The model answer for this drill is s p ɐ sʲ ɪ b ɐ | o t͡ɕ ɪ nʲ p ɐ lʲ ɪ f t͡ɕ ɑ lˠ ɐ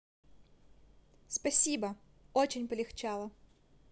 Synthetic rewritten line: s p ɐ sʲ i b ɐ | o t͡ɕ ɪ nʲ p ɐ lʲ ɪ x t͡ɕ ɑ lˠ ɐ